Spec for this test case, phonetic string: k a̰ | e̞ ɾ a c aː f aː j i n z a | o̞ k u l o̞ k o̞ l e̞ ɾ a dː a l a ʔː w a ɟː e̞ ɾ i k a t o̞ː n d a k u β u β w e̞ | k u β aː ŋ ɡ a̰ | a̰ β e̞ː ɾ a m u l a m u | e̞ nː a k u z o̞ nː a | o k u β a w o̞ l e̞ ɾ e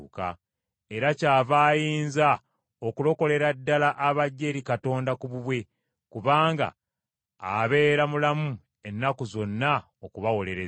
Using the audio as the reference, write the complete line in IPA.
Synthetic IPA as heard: k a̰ | e̞ ɾ a c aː v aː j iː n z a | o̞ k u l o̞ k o̞ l e̞ ɾ a dː a l a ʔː β a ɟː e̞ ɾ i k a t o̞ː n d a k u β u β w e̞ | k u β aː ŋ ɡ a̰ | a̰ β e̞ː ɾ a m u l a m u | e̞ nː a k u z o̞ nː a | o k u β a w o̞ l e̞ ɾ e